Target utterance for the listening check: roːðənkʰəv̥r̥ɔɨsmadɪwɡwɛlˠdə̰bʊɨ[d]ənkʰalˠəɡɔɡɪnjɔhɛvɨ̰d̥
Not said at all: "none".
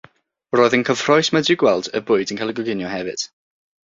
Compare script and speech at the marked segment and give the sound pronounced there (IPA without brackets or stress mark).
d